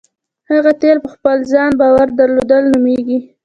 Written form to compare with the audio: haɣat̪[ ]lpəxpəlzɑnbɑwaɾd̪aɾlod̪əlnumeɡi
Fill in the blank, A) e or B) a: A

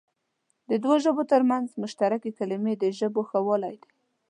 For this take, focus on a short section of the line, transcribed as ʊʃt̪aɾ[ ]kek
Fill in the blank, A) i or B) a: B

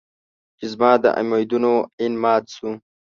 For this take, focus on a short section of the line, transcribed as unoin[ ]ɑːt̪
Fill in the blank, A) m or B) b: A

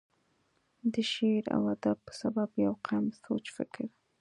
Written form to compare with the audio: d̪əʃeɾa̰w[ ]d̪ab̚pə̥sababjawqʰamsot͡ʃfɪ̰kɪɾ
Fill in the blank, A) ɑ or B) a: B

